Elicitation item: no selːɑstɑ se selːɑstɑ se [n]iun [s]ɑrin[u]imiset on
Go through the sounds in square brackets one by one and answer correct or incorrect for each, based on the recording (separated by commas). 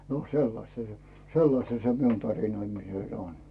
incorrect, incorrect, incorrect